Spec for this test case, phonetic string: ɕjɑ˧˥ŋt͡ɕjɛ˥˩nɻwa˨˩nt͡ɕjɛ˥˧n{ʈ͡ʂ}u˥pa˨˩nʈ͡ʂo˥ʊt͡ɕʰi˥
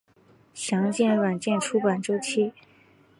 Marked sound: incorrect: ʈ͡ʂʰ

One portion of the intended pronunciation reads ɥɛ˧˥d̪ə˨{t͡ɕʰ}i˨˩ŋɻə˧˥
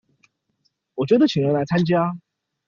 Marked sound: correct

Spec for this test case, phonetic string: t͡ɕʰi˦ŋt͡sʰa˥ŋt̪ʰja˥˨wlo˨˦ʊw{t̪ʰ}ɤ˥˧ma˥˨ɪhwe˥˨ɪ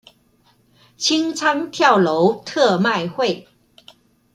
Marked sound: correct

